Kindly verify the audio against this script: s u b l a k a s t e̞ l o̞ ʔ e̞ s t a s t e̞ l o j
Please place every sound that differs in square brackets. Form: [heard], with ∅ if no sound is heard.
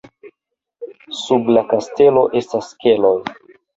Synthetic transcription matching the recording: s u b l a k a s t e̞ l o̞ ʔ e̞ s t a s [k] e̞ l o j